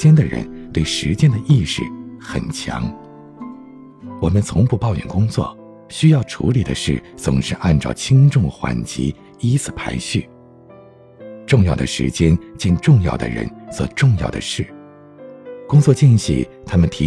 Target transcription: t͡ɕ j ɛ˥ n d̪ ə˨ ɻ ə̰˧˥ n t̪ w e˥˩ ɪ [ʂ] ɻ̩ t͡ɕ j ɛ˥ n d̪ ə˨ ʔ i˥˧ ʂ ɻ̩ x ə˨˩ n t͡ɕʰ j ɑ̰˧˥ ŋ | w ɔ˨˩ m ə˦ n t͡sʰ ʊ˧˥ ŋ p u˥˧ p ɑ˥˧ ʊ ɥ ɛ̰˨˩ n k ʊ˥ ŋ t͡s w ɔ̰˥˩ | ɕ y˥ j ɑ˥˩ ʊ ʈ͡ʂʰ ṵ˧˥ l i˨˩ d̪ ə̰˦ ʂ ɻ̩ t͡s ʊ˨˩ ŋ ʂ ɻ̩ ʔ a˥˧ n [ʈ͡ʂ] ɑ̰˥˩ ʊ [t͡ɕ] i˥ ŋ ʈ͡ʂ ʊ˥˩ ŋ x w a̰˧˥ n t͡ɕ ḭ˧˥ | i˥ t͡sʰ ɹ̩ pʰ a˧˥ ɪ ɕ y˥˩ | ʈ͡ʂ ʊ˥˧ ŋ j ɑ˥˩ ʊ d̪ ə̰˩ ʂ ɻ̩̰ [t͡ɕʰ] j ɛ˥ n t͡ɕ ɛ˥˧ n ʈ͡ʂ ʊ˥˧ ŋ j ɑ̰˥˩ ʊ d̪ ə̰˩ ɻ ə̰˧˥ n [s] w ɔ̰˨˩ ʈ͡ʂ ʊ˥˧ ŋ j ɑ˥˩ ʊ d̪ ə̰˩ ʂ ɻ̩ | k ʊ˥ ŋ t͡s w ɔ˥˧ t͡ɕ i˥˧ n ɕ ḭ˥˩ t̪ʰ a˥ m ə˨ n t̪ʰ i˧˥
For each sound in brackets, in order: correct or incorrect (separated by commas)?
correct, correct, incorrect, incorrect, correct